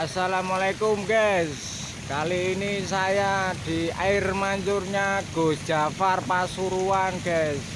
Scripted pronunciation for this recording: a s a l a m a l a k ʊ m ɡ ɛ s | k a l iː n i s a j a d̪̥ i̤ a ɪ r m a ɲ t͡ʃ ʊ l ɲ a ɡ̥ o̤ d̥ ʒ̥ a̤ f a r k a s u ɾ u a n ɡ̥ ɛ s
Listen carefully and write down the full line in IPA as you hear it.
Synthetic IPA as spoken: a s a l a m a l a k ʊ m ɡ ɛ s | k a l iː n i s a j a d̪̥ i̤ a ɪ r m a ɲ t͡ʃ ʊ r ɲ a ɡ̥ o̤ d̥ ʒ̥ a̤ f a r p a s u ɾ u a n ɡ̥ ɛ s